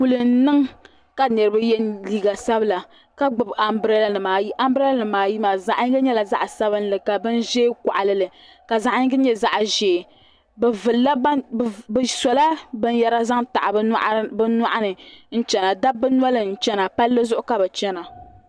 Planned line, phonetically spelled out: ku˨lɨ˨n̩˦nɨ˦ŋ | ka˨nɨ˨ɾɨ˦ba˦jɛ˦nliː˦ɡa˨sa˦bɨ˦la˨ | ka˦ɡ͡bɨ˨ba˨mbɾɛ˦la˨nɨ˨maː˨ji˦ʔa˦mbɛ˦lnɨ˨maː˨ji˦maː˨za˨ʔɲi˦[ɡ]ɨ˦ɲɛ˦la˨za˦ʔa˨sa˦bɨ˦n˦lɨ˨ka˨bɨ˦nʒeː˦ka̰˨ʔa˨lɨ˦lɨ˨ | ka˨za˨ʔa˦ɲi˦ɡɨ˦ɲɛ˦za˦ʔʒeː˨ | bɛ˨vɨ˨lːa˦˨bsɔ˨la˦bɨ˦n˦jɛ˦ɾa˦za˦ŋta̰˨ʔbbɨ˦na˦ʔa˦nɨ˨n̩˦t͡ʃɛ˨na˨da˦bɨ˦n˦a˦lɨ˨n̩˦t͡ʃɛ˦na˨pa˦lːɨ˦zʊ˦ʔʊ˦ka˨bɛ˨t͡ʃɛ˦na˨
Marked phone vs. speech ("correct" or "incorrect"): correct